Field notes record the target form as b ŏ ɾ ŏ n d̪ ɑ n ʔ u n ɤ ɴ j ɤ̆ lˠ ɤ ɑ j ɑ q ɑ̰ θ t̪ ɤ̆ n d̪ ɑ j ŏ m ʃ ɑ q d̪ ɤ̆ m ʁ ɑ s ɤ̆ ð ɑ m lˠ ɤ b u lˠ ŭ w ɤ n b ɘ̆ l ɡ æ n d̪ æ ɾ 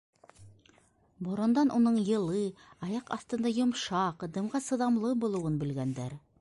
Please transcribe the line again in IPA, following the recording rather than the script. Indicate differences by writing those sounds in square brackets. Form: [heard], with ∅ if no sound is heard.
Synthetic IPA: b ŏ ɾ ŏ n d̪ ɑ n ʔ u n ɤ ɴ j ɤ̆ lˠ ɤ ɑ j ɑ q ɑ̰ θ t̪ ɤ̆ n d̪ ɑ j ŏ m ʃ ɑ q d̪ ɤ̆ m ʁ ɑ s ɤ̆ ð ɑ m lˠ ɤ b u lˠ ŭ w ɤ n b ɘ̆ l ɡ æ n d̪ æ ɾ